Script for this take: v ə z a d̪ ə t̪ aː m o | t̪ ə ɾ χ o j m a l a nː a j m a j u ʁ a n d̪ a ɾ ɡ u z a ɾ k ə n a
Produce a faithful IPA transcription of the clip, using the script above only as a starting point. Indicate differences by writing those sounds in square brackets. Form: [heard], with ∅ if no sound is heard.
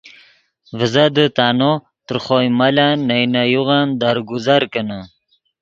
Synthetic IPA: v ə z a d̪ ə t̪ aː [n] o | t̪ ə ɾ χ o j m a l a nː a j [n] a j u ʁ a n d̪ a ɾ ɡ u z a ɾ k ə n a